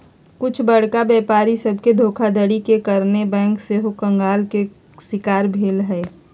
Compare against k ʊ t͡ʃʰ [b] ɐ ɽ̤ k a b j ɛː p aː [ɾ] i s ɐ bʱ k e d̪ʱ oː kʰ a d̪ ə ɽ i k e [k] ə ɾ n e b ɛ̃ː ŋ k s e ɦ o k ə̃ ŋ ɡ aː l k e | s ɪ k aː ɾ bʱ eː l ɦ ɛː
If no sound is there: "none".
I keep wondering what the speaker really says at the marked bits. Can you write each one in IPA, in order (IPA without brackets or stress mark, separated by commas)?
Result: b, ɾ, k